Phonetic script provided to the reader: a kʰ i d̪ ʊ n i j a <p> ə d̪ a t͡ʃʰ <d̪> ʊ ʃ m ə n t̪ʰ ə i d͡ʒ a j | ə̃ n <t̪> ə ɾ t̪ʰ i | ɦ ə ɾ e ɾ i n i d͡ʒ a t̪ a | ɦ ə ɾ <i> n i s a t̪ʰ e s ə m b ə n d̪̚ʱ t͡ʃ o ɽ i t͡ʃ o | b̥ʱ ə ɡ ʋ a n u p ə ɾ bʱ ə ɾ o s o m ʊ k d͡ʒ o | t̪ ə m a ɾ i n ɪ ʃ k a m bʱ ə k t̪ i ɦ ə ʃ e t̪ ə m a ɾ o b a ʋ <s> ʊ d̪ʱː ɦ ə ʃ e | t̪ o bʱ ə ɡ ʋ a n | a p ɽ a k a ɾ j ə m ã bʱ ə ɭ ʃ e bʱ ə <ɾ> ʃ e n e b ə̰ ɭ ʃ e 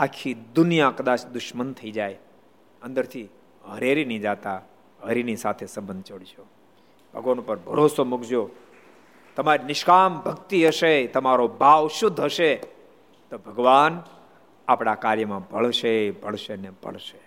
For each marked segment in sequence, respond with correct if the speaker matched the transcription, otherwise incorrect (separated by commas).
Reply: incorrect, correct, incorrect, correct, incorrect, incorrect